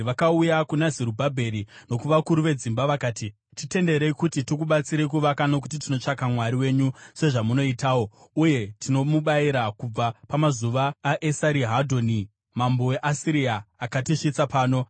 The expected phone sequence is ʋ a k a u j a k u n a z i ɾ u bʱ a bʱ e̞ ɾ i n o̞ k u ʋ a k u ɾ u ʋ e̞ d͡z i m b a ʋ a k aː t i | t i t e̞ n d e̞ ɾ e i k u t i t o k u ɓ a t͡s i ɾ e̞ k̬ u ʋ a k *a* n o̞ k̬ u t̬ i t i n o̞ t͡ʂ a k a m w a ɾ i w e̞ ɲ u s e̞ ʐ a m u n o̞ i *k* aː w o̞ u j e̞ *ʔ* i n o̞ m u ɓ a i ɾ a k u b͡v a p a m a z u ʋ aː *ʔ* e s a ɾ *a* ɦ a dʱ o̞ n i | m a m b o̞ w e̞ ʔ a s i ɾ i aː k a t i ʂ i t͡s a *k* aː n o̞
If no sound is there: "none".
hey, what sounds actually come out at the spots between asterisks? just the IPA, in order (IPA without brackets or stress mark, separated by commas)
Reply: a, t, t, ʔ, i, p